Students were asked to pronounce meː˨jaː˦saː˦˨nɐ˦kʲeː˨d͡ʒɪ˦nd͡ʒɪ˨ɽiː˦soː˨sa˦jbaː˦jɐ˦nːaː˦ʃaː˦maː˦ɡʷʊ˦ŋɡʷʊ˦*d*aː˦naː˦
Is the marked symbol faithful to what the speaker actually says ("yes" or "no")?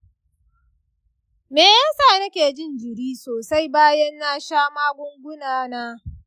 no